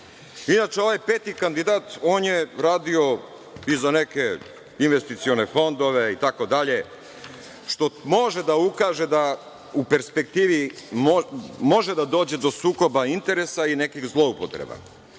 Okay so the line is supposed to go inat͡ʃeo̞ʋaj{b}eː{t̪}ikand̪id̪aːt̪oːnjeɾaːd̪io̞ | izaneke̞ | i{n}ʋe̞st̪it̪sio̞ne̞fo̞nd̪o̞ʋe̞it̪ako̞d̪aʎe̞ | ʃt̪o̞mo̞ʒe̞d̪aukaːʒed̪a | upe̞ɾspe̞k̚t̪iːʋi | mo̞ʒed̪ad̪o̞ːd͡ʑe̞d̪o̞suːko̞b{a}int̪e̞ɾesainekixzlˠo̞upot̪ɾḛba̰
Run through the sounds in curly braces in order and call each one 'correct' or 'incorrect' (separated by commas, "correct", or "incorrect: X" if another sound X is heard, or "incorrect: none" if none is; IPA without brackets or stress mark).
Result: incorrect: p, correct, correct, correct